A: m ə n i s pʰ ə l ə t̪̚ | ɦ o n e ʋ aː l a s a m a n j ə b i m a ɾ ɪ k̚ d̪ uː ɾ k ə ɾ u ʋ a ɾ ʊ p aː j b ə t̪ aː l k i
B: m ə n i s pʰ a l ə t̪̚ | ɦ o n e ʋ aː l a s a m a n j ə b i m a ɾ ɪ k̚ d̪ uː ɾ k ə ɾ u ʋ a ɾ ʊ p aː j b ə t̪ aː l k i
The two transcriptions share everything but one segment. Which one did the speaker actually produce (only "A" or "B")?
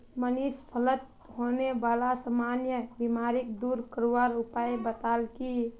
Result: A